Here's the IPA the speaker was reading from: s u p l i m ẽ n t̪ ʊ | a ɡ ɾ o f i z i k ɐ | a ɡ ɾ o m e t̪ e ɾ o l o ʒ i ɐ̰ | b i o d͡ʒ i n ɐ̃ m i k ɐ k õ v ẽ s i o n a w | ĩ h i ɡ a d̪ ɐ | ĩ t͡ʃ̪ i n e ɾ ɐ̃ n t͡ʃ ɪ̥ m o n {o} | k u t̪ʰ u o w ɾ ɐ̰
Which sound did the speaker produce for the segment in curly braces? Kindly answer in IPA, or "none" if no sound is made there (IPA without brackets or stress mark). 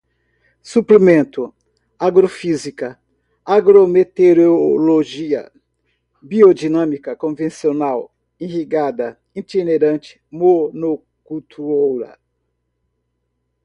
o